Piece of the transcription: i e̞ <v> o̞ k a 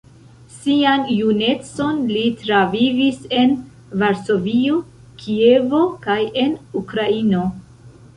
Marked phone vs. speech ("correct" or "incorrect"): correct